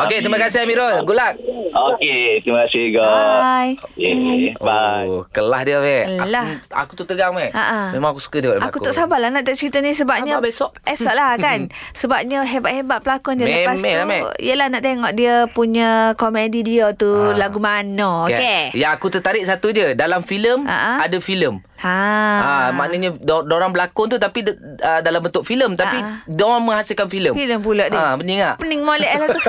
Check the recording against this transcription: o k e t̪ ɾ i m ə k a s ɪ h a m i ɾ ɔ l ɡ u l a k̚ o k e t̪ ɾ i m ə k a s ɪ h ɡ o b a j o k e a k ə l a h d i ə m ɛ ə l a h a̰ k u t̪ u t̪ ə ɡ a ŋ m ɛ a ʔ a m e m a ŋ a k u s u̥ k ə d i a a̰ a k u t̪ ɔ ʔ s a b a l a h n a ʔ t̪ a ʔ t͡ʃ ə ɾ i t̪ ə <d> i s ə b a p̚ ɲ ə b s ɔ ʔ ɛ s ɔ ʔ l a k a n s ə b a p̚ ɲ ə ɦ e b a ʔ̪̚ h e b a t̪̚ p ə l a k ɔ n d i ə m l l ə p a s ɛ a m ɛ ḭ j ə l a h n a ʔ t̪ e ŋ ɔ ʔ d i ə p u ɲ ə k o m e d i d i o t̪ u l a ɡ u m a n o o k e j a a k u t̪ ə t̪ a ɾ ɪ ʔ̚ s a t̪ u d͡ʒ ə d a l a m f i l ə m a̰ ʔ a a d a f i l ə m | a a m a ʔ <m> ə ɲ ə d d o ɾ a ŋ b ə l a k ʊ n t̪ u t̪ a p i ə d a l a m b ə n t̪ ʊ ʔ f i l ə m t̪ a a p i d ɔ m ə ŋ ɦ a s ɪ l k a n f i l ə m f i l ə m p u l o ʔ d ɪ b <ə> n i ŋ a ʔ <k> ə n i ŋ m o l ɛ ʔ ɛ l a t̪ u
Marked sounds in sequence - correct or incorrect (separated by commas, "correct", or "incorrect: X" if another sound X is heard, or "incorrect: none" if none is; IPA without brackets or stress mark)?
incorrect: n, incorrect: n, correct, incorrect: p